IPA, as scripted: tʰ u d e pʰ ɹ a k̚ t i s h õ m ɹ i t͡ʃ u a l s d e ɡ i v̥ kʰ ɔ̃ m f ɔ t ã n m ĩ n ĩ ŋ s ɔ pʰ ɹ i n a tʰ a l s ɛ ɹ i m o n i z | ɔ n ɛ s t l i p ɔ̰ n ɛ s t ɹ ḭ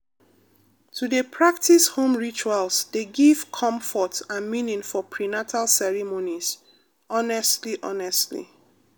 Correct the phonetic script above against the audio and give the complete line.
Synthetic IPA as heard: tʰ u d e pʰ ɹ a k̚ t i s h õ m ɹ i t͡ʃ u a l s d e ɡ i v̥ kʰ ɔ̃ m f ɔ t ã n m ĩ n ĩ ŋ f ɔ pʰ ɹ i n a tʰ a l s ɛ ɹ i m o n i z | ɔ n ɛ s t l i ʔ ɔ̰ n ɛ s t l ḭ